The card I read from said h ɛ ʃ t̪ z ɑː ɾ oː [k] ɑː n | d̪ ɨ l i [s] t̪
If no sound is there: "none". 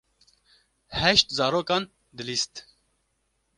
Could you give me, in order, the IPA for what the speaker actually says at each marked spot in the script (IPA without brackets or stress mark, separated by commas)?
k, s